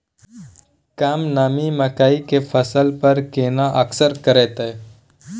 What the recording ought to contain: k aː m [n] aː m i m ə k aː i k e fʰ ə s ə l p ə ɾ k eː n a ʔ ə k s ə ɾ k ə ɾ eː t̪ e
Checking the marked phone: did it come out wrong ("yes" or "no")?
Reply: no